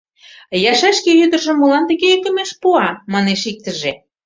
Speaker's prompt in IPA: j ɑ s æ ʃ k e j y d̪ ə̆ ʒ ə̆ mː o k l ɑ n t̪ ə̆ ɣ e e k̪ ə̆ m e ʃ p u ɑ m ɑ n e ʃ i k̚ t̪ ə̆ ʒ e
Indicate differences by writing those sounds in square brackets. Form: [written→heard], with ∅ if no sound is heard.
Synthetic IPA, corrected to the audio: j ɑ [s→ʃ] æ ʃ k e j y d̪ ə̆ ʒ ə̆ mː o [k→∅] l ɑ n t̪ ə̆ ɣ e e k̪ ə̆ m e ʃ p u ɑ m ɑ n e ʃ i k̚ t̪ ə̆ ʒ e